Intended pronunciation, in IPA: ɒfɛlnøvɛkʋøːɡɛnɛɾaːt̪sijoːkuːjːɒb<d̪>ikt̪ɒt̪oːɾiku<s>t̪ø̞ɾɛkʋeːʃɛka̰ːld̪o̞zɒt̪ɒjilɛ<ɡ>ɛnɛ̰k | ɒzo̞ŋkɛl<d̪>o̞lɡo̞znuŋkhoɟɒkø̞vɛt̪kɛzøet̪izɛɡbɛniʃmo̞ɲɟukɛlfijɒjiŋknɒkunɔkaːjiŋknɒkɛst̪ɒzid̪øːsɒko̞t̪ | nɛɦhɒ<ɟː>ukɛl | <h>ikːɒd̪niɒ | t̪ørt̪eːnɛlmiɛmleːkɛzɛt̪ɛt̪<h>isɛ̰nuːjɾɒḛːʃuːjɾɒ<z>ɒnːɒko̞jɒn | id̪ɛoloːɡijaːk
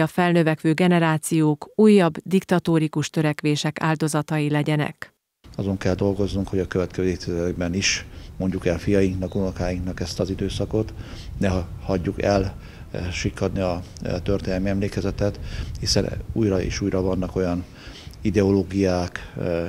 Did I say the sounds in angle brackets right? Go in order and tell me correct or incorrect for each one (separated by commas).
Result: correct, incorrect, incorrect, correct, correct, incorrect, correct, incorrect